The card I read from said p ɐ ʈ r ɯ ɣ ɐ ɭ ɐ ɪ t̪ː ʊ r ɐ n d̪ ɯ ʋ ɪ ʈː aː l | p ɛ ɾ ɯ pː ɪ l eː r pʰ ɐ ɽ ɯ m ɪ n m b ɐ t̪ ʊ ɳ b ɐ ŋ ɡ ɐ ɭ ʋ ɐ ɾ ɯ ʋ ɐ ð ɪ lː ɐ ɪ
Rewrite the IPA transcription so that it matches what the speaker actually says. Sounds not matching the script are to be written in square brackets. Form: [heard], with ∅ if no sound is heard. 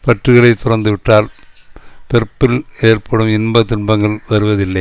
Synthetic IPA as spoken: p ɐ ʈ r ɯ ɣ ɐ ɭ ɐ ɪ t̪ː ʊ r ɐ n d̪ ɯ ʋ ɪ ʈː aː l | p ɛ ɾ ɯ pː ɪ l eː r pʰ ɐ ɽ ɯ m ɪ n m b ɐ t̪ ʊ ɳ b ɐ ŋ ɡ ɐ ɭ ʋ ɐ ɾ ɯ ʋ ɐ ð ɪ lː ɐ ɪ